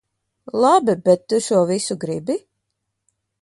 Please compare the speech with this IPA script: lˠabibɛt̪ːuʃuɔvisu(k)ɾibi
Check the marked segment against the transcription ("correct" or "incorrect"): incorrect